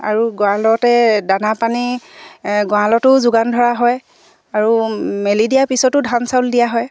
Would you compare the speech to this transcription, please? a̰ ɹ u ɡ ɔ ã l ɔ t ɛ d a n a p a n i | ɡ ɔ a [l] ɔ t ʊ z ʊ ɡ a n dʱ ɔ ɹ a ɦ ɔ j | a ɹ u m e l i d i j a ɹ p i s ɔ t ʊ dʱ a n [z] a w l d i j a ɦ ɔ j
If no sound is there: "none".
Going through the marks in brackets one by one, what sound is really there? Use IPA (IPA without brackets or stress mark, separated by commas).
l, s